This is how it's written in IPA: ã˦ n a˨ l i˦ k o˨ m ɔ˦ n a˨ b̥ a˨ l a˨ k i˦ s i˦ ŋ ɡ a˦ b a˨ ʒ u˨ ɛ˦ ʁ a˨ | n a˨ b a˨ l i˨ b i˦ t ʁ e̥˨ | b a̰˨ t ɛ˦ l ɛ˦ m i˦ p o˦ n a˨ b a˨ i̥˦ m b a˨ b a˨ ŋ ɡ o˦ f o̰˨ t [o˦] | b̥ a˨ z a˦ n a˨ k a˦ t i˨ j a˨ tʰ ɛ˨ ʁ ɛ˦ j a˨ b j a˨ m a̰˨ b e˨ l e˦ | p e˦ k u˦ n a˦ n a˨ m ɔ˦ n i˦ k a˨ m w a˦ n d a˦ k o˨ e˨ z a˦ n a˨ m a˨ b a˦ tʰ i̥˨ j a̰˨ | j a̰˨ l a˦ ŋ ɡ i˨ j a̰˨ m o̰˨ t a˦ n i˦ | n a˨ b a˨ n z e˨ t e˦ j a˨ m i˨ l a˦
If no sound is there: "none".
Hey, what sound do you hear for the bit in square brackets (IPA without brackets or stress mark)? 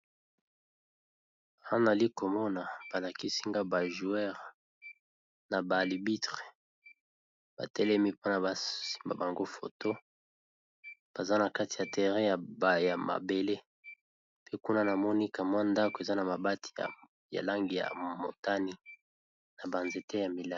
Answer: o˦